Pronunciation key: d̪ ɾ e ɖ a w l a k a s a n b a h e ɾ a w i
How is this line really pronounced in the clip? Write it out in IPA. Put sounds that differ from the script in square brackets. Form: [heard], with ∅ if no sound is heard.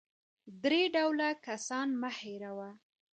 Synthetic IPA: d̪ ɾ e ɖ a w l a k a s [ɑ] n [m] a h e ɾ a w [a]